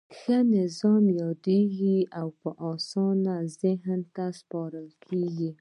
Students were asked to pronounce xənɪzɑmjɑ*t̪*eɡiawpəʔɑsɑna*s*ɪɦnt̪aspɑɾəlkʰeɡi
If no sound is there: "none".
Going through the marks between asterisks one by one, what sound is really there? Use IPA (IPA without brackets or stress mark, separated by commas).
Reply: d̪, z